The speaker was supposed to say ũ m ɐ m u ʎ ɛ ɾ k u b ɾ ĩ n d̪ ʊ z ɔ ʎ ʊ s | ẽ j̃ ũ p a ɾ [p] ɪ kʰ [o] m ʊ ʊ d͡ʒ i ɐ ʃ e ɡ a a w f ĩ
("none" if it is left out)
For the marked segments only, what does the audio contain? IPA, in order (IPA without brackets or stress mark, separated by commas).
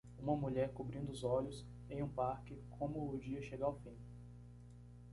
k, õ